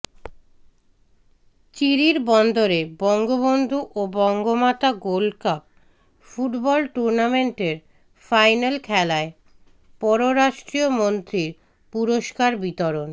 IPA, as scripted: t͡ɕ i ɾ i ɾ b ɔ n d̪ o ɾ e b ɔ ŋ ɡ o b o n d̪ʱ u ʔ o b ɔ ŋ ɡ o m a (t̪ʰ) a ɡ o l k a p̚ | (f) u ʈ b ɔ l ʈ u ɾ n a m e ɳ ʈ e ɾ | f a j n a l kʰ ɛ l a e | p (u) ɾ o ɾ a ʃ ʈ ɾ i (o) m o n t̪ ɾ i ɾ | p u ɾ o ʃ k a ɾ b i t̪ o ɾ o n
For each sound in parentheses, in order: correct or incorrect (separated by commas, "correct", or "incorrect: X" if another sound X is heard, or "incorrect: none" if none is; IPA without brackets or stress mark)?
incorrect: t̪, correct, incorrect: ɔ, correct